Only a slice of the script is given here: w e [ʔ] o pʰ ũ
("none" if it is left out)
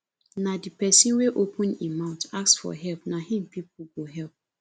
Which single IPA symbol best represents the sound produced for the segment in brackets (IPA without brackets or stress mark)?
ʔ